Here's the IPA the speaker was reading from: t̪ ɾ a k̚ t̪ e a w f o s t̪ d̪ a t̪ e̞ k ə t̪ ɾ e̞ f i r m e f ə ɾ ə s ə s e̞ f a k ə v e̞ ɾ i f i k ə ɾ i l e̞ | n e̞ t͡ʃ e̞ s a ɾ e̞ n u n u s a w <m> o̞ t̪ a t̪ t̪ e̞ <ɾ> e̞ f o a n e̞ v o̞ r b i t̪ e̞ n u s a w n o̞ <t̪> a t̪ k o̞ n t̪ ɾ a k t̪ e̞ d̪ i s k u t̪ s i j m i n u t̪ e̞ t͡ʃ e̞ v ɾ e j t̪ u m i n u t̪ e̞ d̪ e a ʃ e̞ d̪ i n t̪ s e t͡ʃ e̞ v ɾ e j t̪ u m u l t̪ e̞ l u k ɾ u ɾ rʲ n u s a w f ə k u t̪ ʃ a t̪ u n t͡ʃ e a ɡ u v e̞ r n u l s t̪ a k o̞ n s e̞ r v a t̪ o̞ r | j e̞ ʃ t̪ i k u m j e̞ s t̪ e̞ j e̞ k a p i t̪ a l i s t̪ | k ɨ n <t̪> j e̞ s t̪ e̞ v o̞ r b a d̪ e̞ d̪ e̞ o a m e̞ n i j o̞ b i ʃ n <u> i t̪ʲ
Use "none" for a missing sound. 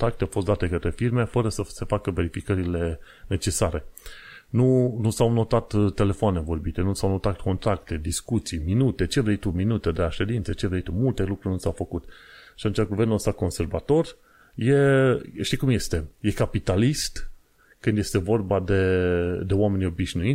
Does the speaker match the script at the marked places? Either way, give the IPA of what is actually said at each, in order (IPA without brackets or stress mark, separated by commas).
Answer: n, l, t̪, d̪, u